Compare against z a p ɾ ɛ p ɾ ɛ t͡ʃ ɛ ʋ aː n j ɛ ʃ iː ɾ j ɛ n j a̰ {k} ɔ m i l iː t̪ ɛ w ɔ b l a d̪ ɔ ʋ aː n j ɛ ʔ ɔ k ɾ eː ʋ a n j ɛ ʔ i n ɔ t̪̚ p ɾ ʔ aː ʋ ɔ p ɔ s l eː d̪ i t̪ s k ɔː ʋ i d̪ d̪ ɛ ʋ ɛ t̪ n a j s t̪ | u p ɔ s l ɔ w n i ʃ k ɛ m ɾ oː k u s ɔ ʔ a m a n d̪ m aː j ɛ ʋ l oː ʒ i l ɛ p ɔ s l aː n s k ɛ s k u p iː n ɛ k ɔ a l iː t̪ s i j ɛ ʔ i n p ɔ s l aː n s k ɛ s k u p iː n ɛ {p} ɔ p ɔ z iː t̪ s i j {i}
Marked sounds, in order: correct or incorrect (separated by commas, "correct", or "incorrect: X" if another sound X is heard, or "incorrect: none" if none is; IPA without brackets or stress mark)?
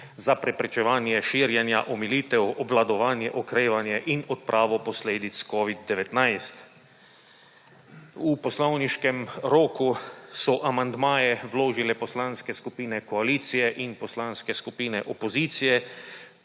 incorrect: ʔ, incorrect: ʔ, incorrect: ɛ